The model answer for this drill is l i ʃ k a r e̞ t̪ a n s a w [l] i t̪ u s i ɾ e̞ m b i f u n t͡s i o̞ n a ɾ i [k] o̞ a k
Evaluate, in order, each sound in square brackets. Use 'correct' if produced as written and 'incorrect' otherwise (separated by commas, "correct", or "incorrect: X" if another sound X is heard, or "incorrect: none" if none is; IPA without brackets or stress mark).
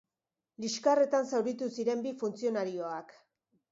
incorrect: ɾ, incorrect: none